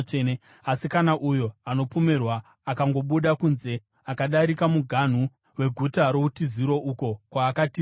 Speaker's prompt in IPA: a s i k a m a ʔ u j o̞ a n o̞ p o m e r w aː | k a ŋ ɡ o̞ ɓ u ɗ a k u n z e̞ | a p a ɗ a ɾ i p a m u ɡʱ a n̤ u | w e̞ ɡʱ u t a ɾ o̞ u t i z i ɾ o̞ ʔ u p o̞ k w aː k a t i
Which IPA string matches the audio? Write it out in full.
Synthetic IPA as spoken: a s i k a n a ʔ u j o̞ a n o̞ p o m e r w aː | k a ŋ ɡ o̞ ɓ u ɗ a k u n z e̞ | a k a ɗ a ɾ i k a m u ɡʱ a n̤ u | w e̞ ɡʱ u t a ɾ o̞ u t i z i ɾ o̞ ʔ u k o̞ k w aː k a t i